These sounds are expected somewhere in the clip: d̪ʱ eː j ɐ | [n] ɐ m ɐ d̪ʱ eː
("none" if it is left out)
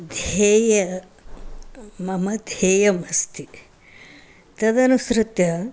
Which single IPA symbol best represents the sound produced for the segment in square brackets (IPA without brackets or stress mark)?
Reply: m